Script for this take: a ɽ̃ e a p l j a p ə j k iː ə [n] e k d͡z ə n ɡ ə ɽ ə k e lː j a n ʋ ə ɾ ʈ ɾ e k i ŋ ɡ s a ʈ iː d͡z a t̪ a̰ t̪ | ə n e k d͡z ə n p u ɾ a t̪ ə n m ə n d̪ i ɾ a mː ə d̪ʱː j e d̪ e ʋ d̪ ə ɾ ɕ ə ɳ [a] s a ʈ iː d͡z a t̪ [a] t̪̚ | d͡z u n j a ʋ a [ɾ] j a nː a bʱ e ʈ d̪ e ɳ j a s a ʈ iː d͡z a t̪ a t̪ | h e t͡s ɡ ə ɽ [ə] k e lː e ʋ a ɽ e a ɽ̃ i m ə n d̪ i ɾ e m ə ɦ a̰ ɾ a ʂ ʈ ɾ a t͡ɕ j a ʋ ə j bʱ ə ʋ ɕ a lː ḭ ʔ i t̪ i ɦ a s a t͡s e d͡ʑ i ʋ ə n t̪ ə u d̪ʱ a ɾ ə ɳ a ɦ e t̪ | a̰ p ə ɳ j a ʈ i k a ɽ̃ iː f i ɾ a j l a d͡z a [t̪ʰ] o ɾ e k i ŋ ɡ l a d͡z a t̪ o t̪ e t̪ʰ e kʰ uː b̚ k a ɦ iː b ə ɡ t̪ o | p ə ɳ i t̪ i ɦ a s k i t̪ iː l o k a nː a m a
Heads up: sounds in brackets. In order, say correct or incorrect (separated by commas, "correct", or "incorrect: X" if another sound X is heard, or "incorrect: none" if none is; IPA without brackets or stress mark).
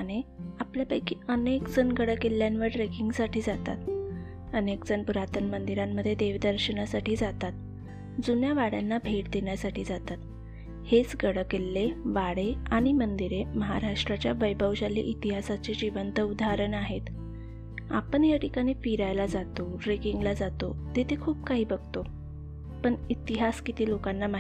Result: correct, correct, correct, incorrect: ɽ, correct, incorrect: t̪